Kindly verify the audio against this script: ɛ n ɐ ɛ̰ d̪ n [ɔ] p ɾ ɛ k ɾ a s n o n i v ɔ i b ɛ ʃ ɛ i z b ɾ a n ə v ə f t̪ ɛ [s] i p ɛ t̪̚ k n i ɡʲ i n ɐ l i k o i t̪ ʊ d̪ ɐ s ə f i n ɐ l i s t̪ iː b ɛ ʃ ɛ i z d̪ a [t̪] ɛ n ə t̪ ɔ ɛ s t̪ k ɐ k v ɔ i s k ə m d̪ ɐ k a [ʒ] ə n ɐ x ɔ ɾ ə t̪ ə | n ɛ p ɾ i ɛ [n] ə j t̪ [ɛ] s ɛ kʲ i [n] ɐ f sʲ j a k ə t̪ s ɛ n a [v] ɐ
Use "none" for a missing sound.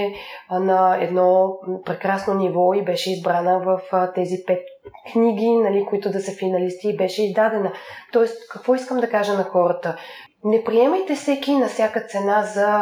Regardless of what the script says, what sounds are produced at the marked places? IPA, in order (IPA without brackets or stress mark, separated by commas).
ɔ, z, d̪, ʒ, m, ɛ, n, z